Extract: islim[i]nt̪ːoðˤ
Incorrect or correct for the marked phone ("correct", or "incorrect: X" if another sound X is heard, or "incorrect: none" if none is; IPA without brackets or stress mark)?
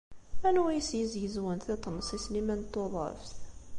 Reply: incorrect: æ